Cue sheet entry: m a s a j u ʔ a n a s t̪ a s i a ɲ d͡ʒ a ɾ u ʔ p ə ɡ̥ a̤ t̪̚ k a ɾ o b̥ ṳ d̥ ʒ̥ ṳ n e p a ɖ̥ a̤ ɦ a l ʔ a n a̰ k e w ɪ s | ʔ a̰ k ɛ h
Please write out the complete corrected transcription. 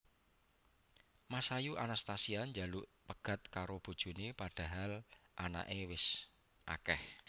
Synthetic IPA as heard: m a s a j u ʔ a n a s t̪ a s i a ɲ d͡ʒ a l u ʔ p ə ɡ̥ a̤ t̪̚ k a ɾ o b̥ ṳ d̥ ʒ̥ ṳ n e p a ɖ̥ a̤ ɦ a l ʔ a n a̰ ʔ e w ɪ s | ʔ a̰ k ɛ h